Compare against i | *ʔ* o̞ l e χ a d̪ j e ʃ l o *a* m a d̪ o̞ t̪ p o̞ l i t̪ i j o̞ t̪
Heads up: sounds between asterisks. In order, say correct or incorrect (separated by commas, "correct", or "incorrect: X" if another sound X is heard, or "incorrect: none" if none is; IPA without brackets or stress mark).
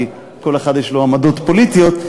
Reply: incorrect: k, correct